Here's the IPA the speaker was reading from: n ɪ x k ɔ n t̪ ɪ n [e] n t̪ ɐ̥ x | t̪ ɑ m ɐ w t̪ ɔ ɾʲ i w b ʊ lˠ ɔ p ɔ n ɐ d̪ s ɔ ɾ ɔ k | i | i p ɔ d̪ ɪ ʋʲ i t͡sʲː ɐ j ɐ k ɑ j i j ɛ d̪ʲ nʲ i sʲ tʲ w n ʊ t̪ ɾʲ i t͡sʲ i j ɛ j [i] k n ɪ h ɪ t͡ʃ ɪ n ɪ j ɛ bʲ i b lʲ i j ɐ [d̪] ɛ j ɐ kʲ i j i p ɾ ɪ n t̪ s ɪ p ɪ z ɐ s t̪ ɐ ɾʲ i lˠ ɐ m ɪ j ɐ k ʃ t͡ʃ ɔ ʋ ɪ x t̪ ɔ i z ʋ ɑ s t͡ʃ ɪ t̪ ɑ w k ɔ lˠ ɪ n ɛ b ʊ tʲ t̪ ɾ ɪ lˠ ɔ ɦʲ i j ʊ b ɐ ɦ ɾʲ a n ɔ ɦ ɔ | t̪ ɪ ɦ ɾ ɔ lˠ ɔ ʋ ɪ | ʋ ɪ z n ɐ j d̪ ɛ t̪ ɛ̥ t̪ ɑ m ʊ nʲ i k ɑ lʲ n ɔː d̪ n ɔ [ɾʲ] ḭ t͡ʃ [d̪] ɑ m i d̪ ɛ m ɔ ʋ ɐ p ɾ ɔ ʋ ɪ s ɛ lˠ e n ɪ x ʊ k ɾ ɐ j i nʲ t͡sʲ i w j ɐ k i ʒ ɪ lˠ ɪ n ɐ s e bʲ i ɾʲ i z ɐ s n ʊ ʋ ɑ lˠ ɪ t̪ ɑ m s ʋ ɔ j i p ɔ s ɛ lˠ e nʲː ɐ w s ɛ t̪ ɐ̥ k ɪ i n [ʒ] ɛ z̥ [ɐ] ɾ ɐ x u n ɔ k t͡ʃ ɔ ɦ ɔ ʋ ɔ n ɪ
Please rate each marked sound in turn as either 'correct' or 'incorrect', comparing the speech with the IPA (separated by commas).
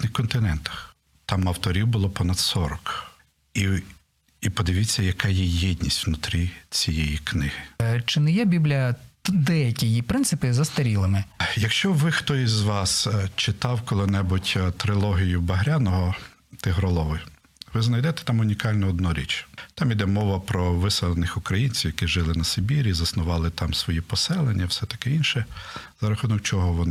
incorrect, correct, correct, correct, incorrect, incorrect, correct